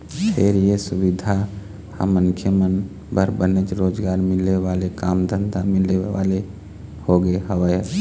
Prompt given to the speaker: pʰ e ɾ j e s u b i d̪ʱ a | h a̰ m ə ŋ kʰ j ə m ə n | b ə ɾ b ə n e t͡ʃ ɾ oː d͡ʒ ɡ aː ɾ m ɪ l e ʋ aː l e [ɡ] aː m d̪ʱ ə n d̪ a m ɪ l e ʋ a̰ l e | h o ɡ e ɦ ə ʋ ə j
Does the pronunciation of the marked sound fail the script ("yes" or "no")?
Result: yes